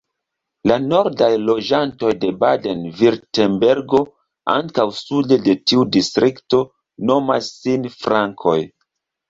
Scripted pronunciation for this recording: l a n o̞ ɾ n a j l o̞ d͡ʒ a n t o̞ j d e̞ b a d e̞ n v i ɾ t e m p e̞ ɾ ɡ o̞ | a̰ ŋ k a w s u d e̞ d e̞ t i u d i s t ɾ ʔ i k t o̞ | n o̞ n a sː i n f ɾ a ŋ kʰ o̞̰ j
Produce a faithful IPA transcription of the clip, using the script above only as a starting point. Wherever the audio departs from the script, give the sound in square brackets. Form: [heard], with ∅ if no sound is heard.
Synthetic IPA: l a n o̞ ɾ [d] a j l o̞ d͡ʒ a n t o̞ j d e̞ b a d e̞ n v i ɾ t e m [b] e̞ ɾ ɡ o̞ | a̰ ŋ k a w s u d e̞ d e̞ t i u d i s t ɾ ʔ i k t o̞ | n o̞ [m] a sː i n f ɾ a ŋ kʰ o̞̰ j